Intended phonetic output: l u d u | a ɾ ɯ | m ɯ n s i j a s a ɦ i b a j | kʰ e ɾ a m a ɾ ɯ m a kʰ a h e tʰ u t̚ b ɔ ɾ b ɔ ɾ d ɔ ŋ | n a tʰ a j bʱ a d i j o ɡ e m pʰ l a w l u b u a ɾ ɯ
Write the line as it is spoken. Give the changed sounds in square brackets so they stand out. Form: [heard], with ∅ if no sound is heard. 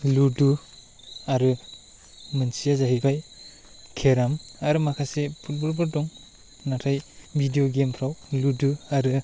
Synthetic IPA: l u d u | a ɾ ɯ | m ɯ n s i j a [z] a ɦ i b a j | kʰ e ɾ a m a ɾ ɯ m a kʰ a [s] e [pʰ] u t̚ b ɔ [l] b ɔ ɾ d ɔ ŋ | n a tʰ a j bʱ [i] d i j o ɡ e m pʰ [ɾ] a w l u [d] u a ɾ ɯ